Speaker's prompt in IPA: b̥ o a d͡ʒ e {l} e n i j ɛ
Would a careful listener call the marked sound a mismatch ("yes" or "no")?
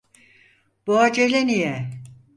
no